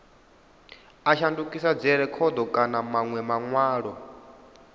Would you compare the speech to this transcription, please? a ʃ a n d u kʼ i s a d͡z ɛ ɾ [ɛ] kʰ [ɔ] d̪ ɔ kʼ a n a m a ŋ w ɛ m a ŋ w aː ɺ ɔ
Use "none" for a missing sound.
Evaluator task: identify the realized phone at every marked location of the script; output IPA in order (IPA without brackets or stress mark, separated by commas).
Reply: ɛ, ɔ